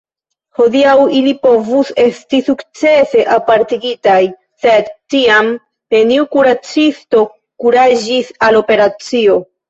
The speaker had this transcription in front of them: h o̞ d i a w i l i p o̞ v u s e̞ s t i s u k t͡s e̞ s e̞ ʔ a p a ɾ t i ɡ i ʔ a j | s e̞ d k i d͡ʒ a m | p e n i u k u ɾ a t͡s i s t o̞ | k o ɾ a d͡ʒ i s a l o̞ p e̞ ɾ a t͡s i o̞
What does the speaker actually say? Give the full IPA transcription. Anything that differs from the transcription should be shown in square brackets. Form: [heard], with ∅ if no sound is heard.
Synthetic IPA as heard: h o̞ d i a w i l i p o̞ v u s e̞ s t i s u k t͡s e̞ s e̞ ʔ a p a ɾ t i ɡ i [t] a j | s e̞ d [t] i [∅] a m | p e n i u k u ɾ a t͡s i s t o̞ | k [u] ɾ a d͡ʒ i s a l o̞ p e̞ ɾ a t͡s i o̞